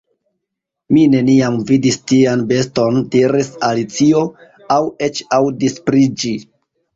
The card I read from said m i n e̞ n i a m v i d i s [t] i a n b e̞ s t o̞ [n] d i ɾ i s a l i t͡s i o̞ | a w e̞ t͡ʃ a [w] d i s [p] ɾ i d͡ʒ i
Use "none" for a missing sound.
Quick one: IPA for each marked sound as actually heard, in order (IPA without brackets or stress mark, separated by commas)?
t, n, w, p